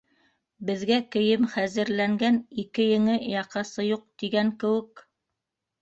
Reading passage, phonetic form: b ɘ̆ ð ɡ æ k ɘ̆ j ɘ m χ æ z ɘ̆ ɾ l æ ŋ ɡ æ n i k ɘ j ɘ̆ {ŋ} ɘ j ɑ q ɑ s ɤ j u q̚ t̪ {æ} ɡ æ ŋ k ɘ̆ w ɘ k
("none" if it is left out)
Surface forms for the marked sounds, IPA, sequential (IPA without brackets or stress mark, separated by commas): ŋ, i